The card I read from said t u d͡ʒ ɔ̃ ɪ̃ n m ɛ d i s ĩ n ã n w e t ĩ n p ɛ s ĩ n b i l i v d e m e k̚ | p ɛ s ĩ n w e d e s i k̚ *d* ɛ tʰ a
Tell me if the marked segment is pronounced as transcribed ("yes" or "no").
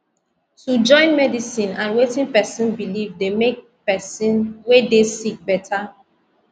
no